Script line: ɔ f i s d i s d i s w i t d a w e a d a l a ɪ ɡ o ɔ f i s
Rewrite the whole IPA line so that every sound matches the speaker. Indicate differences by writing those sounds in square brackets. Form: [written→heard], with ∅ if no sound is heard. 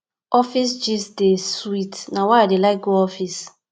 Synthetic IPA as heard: ɔ f i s [d→d͡ʒ] i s d [i→e] s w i t [d→n] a w [e→a] a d [a→e] l a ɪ ɡ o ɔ f i s